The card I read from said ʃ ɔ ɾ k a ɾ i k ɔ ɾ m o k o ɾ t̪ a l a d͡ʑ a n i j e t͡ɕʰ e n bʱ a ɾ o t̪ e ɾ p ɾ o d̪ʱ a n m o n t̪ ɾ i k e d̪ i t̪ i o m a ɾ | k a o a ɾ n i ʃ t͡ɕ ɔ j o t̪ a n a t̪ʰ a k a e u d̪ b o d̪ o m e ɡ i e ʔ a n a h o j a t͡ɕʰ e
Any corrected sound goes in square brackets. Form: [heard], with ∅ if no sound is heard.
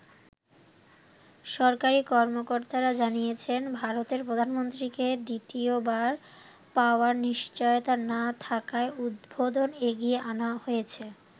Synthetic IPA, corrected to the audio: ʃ ɔ ɾ k a ɾ i k ɔ ɾ m o k o ɾ t̪ a [ɾ] a d͡ʑ a n i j e t͡ɕʰ e n bʱ a ɾ o t̪ e ɾ p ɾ o d̪ʱ a n m o n t̪ ɾ i k e d̪ i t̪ i o [b] a ɾ | [p] a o a ɾ n i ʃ t͡ɕ ɔ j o t̪ a n a t̪ʰ a k a e u d̪ b o d̪ o [n] e ɡ i e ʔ a n a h o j [e] t͡ɕʰ e